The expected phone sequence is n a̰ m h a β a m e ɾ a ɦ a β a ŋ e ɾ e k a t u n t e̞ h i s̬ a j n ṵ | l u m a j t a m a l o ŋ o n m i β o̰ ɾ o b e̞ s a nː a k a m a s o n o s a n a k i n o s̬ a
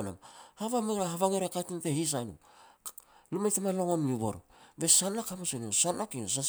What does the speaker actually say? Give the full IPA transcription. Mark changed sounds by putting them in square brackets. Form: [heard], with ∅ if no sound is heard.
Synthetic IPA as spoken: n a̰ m h a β a m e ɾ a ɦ a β a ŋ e ɾ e k a t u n t e̞ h i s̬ a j n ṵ | l u m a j t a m a l o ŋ o n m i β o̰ ɾ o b e̞ s a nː a k a m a s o n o s a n a k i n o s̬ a